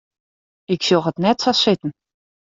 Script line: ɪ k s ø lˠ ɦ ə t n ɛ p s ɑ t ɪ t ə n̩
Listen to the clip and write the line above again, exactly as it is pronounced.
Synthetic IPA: ɪ k s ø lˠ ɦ ə t n ɛ t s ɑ s ɪ t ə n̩